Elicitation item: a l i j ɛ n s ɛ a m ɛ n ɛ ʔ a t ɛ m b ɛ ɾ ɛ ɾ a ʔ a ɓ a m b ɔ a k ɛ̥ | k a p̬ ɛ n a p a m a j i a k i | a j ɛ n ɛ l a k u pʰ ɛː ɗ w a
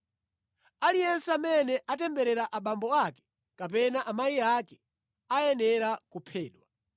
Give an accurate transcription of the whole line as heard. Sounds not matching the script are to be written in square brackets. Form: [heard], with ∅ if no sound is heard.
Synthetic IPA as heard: a l i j ɛ n s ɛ a m ɛ n ɛ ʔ a t ɛ m b ɛ ɾ ɛ ɾ a ʔ a ɓ a m b ɔ a k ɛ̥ | k a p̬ ɛ n a [ʔ] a m a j i a k [ɛ] | a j ɛ n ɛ [ɾ] a k u pʰ ɛː ɗ w a